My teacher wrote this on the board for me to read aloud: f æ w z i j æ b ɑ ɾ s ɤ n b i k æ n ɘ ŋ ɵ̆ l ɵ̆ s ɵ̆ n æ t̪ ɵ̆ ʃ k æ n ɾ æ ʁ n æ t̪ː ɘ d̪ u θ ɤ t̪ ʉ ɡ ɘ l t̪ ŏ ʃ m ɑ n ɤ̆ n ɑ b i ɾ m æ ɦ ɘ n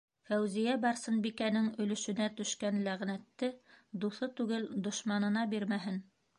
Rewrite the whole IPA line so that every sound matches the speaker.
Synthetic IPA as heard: f æ w z i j æ b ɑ ɾ s ɤ n b i k æ n ɘ ŋ ɵ̆ l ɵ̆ ʃ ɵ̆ n æ t̪ ɵ̆ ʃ k æ n l æ ʁ n æ t̪ː ɘ d̪ u θ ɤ t̪ ʉ ɡ ɘ l d̪ ŏ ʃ m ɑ n ɤ̆ n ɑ b i ɾ m æ ɦ ɘ n